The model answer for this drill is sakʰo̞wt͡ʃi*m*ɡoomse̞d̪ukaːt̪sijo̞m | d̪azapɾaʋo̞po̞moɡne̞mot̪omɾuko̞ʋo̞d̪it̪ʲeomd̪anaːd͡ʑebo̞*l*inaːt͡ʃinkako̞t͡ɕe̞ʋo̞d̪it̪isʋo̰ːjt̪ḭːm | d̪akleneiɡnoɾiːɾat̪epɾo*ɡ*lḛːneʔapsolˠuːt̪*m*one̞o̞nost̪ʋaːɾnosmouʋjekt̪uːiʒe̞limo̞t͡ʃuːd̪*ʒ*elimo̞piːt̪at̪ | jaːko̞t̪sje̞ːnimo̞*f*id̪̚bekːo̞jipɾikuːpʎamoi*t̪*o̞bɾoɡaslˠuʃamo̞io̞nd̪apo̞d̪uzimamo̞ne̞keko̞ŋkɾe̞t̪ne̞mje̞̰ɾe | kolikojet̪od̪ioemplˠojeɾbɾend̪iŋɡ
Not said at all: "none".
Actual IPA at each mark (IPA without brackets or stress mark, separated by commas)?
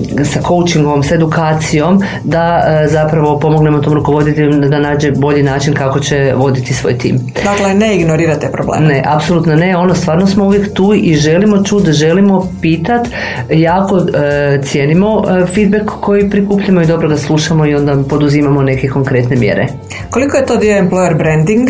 ŋ, ʎ, b, n, ʒ, f, d̪